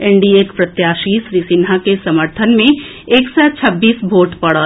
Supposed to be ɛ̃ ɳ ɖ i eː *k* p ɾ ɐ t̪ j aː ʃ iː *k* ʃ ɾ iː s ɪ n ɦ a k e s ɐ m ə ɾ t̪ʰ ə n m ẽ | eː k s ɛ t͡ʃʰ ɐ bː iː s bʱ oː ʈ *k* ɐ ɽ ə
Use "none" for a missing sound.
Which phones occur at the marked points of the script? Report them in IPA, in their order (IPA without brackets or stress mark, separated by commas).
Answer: k, none, p